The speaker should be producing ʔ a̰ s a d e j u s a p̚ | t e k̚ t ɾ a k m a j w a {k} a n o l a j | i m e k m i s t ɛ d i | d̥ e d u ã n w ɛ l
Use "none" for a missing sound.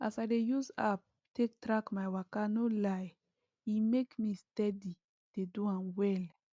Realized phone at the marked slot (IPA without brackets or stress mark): k